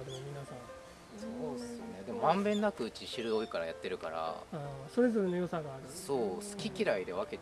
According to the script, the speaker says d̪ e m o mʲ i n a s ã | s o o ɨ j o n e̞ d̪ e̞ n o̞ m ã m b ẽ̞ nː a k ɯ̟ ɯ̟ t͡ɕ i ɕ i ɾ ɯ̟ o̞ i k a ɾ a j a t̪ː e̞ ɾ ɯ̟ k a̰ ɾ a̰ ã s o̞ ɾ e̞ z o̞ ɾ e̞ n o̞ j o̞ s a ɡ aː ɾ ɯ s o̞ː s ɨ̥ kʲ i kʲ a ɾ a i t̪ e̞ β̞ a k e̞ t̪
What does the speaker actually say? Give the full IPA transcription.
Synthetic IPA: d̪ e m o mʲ i n a s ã | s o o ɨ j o n e̞ d̪ e̞ m o̞ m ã m b ẽ̞ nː a k ɯ̟ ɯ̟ t͡ɕ i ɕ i ɾ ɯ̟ o̞ i k a ɾ a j a t̪ː e̞ ɾ ɯ̟ k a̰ ɾ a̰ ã s o̞ ɾ e̞ z o̞ ɾ e̞ n o̞ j o̞ s a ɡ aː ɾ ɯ s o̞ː s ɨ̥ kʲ i kʲ i ɾ a i d̪ e̞ β̞ a k e̞ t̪